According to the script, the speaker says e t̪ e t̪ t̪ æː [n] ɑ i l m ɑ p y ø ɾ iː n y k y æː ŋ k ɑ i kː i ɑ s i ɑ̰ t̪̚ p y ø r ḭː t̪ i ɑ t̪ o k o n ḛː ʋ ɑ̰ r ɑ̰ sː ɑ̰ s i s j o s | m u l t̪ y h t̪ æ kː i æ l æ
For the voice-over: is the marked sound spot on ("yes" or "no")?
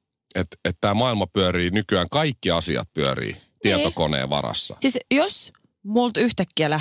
no